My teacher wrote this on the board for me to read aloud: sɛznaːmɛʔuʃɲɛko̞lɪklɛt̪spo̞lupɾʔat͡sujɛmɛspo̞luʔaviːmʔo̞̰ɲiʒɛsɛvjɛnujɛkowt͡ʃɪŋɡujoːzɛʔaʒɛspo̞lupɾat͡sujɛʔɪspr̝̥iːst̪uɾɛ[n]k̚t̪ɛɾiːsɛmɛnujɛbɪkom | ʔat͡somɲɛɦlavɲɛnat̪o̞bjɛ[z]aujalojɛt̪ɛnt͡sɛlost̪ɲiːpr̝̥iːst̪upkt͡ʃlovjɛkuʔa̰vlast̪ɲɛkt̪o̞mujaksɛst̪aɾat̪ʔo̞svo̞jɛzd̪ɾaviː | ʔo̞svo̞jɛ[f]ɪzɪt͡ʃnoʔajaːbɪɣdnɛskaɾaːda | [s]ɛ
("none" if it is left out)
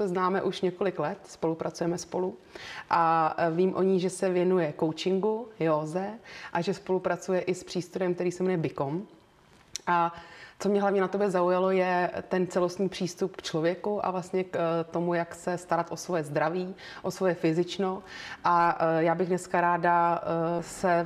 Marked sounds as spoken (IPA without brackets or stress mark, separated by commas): m, z, f, s